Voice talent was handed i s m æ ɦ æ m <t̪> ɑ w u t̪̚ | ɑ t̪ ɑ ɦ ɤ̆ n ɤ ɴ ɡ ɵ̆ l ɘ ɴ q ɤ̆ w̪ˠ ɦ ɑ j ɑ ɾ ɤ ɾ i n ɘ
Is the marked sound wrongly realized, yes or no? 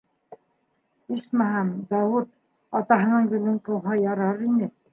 yes